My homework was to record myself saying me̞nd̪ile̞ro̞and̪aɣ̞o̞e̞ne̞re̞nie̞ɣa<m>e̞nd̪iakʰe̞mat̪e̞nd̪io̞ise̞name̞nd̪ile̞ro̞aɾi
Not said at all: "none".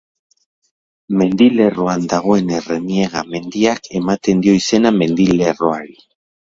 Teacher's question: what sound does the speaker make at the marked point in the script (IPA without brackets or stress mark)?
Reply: m